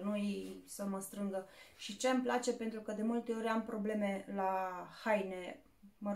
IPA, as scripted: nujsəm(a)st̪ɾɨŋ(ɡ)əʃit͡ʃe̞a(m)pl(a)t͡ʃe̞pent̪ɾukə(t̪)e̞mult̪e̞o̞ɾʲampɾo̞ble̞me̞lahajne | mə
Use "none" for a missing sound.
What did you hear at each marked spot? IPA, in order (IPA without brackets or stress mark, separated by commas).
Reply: ə, ɡ, m, a, d̪